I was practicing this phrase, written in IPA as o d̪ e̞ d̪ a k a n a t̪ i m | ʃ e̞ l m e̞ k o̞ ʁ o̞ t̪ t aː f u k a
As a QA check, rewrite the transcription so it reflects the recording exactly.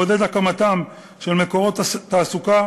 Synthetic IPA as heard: o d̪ e̞ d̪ a k a m a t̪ a m | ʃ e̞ l m e̞ k o̞ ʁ o̞ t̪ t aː s u k a